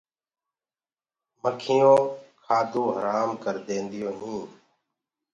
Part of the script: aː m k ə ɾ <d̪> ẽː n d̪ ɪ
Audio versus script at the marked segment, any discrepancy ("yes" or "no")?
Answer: no